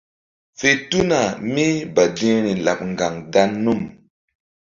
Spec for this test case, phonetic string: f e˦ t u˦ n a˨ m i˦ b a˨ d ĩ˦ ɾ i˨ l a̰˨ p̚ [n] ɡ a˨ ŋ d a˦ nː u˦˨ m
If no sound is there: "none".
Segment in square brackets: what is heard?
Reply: ŋ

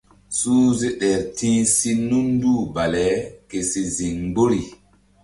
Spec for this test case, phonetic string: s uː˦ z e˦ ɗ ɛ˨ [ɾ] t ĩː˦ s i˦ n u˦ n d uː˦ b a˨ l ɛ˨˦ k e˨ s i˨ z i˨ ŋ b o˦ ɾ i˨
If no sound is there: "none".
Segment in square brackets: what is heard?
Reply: ɾ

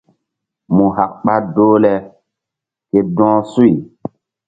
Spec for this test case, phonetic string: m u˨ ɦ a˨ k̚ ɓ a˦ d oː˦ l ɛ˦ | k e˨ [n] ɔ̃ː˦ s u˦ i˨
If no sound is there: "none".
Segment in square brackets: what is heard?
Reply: d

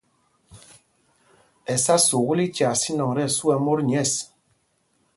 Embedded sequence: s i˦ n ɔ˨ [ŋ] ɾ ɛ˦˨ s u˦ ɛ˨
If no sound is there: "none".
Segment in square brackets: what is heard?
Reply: ŋ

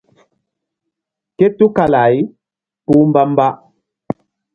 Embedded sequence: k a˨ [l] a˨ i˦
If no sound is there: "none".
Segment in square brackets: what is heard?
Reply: l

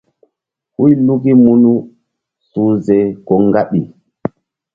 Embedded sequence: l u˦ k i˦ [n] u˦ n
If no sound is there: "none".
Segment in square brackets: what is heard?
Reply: m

